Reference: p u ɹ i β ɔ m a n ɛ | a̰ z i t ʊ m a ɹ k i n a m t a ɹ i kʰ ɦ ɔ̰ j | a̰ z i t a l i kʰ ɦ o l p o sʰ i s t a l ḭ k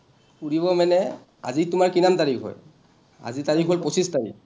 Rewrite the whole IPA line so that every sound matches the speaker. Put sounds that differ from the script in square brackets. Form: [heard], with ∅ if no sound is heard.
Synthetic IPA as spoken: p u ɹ i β ɔ m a n ɛ | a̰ z i t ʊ m a ɹ k i n a m t a ɹ i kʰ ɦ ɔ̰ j | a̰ z i t a [ɹ] i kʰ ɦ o l p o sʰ i s t a [ɹ] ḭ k

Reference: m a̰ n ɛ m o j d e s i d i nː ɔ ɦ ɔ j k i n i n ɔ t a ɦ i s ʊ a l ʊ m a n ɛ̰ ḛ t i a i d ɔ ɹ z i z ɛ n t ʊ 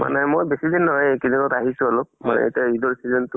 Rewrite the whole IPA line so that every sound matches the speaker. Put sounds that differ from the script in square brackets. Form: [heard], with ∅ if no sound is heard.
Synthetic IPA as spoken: m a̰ n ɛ m o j [b] e s i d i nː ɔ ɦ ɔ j k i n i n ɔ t a ɦ i s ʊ a l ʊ m a n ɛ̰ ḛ t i a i d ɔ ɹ [s] i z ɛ n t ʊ

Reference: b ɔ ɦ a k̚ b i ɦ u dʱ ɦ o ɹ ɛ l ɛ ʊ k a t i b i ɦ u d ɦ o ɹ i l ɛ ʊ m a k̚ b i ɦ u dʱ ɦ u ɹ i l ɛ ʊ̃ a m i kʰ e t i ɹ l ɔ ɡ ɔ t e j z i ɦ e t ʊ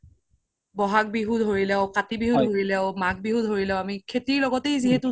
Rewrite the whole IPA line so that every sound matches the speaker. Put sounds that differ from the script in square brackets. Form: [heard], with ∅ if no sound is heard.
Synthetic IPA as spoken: b ɔ ɦ a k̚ b i ɦ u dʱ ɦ o ɹ [i] l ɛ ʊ k a t i b i ɦ u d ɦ o ɹ i l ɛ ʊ m a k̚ b i ɦ u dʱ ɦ [o] ɹ i l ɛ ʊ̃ a m i kʰ e t i ɹ l ɔ ɡ ɔ t e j z i ɦ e t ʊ

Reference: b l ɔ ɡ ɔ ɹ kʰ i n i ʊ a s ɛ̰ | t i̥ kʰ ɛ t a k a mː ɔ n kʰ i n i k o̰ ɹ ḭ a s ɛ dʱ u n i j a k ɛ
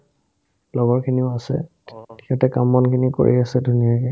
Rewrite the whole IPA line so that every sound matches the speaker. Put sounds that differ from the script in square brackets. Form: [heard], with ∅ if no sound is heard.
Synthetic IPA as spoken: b l ɔ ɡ ɔ ɹ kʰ i n i ʊ a s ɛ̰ | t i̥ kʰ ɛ t [ɛ] k a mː ɔ n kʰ i n i k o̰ ɹ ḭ a s ɛ dʱ u n i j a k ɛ

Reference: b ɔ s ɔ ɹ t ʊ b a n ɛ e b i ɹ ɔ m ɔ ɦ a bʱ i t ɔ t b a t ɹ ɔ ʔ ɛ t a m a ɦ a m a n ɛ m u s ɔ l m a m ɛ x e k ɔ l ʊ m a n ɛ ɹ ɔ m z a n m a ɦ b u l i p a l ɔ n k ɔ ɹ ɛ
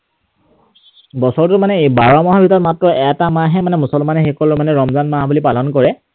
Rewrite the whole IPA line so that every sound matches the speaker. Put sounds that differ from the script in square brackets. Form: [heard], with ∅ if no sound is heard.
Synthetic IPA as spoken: b ɔ s ɔ ɹ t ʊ [m] a n ɛ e b [a] ɹ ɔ m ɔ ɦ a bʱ i t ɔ t [m] a t ɹ ɔ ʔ ɛ t a m a ɦ [ɛ] m a n ɛ m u s ɔ l m a [n] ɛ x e k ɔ l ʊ m a n ɛ ɹ ɔ m z a n m a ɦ b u l i p a l ɔ n k ɔ ɹ ɛ

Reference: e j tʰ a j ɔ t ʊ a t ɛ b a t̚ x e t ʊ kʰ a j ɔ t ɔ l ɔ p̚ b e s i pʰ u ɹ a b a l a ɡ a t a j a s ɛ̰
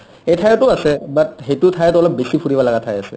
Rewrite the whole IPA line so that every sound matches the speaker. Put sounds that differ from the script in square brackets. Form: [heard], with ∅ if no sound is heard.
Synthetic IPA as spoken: e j tʰ a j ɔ t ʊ a [s] ɛ b a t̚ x e t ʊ [tʰ] a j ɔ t ɔ l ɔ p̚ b e s i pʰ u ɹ [i] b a l a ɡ a [tʰ] a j a s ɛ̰

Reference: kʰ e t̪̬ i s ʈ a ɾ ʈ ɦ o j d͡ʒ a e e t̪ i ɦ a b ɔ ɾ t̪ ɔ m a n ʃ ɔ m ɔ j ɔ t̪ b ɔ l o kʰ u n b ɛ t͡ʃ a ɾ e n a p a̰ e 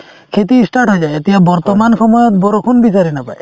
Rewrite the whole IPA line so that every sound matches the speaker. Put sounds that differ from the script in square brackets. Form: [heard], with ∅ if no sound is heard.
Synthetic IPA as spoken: kʰ e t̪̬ i s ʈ a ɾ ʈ ɦ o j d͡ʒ a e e t̪ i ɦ a b ɔ ɾ t̪ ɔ m a n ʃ ɔ m ɔ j ɔ t̪ b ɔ [ɾ] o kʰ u n b [i] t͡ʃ a ɾ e n a p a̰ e

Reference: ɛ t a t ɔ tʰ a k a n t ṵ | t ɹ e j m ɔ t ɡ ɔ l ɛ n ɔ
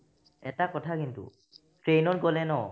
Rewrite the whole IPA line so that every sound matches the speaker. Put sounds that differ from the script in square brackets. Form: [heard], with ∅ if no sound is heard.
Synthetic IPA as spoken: ɛ t a [k] ɔ tʰ a k [i] n t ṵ | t ɹ e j [n] ɔ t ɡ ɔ l ɛ n ɔ

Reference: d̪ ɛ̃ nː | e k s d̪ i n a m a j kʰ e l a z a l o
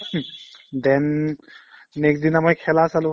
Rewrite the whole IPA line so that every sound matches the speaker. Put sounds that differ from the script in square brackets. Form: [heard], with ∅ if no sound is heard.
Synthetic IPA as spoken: d̪ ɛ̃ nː | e k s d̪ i n a m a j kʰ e l a [s] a l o

